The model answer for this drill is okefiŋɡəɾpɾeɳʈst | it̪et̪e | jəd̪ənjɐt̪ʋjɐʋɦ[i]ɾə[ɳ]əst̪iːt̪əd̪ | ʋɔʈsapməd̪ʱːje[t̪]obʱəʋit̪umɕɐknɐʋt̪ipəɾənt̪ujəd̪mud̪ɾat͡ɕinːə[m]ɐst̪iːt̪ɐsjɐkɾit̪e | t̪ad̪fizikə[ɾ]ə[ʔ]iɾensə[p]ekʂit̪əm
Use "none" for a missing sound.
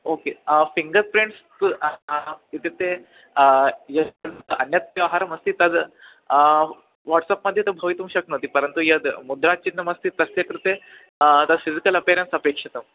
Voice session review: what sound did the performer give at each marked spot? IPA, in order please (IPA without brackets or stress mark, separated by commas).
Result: a, m, t̪, m, l, p, p